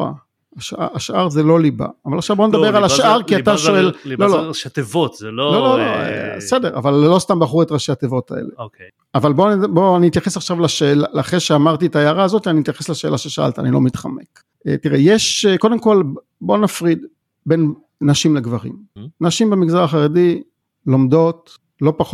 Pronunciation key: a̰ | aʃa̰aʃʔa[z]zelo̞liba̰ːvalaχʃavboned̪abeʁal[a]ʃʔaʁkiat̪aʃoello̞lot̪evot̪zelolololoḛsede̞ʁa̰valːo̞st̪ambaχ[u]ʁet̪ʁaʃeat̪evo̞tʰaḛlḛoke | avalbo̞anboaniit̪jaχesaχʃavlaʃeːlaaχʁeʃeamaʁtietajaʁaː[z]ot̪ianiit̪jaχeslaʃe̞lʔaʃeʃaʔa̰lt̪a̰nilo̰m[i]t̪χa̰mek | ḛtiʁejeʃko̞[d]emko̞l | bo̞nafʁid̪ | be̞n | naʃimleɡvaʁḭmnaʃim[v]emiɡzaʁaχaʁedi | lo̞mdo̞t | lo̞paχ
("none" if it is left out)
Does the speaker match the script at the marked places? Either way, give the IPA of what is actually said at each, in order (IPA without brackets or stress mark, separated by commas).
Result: ʁ, a, u, z, i, d, b